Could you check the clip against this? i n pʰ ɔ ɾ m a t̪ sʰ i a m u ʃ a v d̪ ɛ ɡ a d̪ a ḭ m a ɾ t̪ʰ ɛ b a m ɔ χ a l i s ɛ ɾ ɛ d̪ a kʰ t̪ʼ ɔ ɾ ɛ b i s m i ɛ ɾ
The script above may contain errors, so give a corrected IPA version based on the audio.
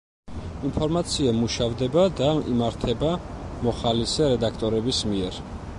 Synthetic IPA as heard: i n pʰ ɔ ɾ m a t̪ sʰ i a m u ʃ a v d̪ ɛ b a d̪ a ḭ m a ɾ t̪ʰ ɛ b a m ɔ χ a l i s ɛ ɾ ɛ d̪ a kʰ t̪ʼ ɔ ɾ ɛ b i s m i ɛ ɾ